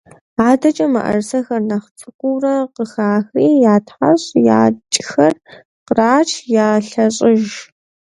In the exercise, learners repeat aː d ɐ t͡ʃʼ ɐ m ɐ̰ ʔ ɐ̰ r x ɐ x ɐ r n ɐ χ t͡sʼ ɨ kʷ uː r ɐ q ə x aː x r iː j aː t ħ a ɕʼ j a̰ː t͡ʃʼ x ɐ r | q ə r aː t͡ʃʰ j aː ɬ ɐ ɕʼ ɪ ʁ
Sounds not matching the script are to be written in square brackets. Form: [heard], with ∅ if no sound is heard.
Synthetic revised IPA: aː d ɐ t͡ʃʼ ɐ m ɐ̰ ʔ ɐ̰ r [s] ɐ x ɐ r n ɐ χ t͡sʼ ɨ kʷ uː r ɐ q ə x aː x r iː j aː t ħ a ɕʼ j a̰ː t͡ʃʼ x ɐ r | q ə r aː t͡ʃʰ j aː ɬ ɐ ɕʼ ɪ [ʒ]